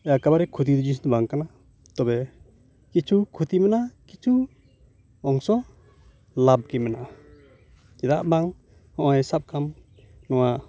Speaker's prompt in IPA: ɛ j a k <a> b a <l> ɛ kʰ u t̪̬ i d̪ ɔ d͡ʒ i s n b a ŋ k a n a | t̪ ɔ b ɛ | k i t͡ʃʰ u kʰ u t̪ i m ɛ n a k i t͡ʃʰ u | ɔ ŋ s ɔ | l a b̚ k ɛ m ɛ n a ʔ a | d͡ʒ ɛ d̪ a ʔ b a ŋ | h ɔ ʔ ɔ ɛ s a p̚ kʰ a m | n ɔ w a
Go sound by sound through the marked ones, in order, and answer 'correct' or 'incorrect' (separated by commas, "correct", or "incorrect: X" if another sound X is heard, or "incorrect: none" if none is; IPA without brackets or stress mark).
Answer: correct, incorrect: ɾ